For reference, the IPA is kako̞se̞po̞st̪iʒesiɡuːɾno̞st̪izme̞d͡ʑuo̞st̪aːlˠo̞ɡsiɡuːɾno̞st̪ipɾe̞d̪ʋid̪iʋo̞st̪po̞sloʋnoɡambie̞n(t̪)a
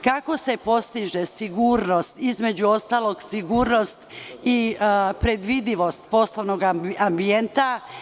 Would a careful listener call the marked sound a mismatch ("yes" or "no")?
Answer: no